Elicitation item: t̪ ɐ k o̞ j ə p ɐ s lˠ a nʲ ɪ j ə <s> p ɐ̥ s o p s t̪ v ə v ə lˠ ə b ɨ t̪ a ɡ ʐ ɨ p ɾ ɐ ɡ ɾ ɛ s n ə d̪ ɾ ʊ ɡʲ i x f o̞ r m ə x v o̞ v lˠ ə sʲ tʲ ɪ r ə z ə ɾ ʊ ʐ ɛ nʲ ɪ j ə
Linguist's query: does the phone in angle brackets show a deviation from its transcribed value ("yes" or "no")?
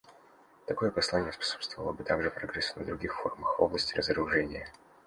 no